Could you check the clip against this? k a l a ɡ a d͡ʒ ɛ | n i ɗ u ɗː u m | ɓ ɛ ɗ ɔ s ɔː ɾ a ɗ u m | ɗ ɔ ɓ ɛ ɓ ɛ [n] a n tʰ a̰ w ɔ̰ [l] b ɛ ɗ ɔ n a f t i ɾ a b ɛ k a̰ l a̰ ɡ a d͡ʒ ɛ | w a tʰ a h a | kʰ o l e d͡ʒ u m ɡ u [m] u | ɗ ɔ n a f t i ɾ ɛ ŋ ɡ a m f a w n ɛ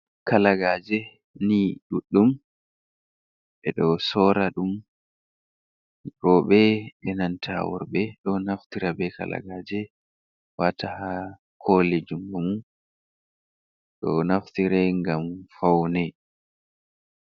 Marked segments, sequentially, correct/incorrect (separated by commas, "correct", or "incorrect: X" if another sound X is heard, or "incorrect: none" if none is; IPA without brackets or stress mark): correct, incorrect: ɾ, correct